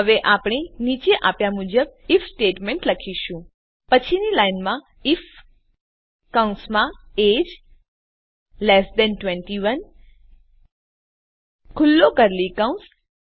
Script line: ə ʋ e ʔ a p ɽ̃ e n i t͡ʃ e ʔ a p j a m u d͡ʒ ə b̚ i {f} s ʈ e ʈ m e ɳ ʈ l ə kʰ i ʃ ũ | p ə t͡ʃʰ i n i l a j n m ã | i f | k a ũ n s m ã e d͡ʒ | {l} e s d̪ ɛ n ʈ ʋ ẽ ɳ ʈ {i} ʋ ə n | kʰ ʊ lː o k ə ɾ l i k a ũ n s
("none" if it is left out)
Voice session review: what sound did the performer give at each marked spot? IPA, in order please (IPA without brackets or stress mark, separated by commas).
f, l, i